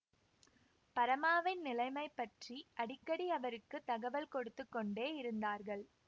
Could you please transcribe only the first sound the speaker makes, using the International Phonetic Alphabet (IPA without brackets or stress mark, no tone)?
p